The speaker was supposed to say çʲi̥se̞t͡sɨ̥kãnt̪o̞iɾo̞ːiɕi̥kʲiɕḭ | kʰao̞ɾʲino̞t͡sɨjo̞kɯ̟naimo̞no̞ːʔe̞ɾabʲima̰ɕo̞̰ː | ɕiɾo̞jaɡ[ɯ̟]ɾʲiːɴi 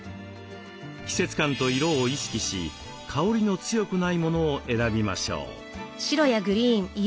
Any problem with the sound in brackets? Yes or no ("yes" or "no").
no